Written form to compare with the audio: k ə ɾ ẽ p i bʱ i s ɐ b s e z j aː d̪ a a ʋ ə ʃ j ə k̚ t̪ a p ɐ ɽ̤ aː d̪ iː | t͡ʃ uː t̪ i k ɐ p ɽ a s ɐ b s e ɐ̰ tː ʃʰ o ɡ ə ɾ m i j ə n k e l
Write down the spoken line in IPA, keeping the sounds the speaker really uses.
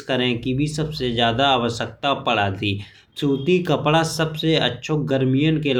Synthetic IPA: k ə ɾ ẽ k i bʱ i s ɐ b s e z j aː d̪ a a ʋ ə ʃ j ə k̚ t̪ a p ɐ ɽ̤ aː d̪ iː | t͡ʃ uː t̪ i k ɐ p ɽ a s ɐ b s e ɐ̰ tː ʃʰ o ɡ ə ɾ m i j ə n k e l